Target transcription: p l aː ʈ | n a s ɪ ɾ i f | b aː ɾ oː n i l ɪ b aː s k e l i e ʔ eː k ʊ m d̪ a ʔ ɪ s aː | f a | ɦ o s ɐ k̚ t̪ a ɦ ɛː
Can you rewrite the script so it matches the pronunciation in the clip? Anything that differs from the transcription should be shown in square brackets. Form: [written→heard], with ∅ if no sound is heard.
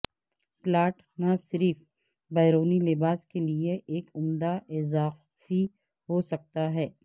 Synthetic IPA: p l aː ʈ | n a s ɪ ɾ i f | b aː ɾ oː n i l ɪ b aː s k e l i e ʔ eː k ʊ m d̪ a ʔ ɪ [s→z] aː | f [a→i] | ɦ o s ɐ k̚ t̪ a ɦ ɛː